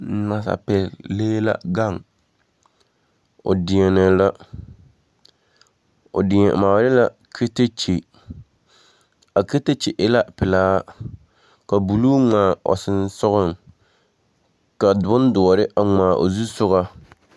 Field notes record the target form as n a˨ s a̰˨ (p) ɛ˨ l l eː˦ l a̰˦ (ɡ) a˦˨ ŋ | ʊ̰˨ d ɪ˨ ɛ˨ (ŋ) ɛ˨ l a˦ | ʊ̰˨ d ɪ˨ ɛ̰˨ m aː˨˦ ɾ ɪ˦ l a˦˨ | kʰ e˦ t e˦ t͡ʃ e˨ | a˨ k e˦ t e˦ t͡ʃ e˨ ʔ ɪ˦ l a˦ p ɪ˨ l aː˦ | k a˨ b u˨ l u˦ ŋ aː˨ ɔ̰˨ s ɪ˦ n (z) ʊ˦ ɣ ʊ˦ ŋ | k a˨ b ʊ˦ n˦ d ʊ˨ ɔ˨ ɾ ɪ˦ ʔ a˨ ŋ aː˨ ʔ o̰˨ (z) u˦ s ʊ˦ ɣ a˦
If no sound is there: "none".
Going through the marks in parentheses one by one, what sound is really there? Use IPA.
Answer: p, ɡ, n, s, z

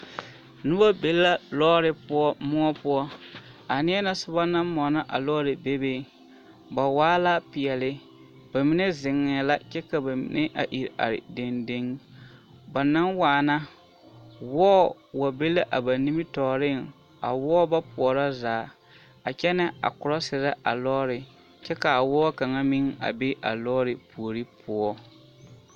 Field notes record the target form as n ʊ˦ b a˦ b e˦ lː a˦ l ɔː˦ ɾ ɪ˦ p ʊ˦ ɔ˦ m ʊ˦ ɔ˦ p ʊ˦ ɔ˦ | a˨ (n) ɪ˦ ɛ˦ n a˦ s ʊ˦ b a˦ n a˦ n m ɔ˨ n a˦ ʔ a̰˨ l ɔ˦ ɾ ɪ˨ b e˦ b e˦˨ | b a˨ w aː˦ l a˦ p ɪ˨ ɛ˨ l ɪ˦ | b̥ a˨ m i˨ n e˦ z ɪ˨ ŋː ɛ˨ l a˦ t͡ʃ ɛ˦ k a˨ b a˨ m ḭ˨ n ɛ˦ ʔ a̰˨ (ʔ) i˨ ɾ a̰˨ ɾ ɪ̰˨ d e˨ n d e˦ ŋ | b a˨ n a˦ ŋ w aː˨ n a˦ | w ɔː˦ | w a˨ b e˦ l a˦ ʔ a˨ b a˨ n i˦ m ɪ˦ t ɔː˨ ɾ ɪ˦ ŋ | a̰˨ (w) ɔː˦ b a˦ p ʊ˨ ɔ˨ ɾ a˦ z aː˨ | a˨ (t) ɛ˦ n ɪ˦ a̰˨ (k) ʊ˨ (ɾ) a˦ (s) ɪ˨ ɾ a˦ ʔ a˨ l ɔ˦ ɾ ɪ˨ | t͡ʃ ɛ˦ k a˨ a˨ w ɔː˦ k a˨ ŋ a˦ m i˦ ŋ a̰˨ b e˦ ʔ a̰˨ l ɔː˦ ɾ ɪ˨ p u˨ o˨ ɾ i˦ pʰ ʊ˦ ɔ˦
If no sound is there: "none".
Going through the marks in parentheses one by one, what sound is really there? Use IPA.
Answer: n, ʔ, w, t͡ʃ, k, ɾ, s

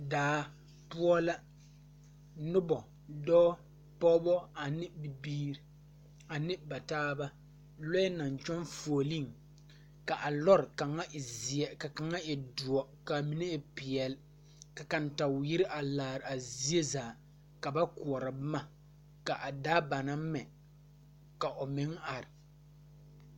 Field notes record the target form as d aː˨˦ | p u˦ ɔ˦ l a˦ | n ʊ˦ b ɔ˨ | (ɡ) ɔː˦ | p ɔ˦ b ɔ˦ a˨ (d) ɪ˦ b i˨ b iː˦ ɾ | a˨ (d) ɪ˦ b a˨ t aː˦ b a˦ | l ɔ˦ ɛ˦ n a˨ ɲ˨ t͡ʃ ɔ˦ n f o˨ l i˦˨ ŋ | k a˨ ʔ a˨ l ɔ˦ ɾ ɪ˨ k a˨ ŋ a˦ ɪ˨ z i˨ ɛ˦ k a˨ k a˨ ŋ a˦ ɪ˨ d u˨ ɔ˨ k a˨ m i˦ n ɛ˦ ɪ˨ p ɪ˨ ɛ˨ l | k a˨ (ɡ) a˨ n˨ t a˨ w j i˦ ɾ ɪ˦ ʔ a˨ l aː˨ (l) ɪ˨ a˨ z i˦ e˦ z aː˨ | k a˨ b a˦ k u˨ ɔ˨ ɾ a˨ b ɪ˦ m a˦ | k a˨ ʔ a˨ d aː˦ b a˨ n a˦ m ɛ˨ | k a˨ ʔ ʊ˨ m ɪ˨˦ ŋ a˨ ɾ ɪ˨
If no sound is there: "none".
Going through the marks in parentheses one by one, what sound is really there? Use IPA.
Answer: d, n, n, k, ɾ

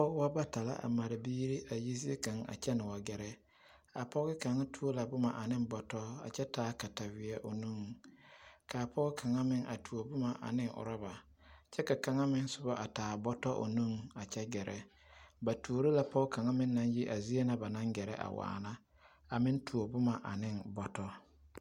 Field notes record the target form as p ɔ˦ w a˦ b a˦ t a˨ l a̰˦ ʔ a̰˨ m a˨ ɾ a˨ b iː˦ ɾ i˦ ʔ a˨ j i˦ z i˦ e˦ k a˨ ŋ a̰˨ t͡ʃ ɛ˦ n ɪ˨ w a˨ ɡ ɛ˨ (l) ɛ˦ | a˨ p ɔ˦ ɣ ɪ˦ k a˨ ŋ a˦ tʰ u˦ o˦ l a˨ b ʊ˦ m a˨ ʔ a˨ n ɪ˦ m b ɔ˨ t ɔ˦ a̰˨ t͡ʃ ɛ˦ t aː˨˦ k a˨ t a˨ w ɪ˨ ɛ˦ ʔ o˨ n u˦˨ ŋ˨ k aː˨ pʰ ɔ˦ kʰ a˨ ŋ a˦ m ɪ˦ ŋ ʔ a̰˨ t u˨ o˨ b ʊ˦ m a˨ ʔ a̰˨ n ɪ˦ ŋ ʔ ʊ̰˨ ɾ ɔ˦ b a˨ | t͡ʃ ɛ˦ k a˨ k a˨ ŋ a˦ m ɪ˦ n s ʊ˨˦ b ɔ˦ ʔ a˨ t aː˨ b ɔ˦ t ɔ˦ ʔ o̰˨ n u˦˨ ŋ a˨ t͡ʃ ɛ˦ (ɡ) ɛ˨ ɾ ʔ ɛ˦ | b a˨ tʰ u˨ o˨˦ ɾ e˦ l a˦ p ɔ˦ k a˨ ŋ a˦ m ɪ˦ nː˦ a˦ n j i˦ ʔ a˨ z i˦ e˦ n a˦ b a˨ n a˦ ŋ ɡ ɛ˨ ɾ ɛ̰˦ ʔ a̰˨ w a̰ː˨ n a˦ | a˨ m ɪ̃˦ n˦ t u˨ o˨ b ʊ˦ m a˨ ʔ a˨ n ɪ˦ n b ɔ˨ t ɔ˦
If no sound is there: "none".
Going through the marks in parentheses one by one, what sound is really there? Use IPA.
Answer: ɾ, ɡ

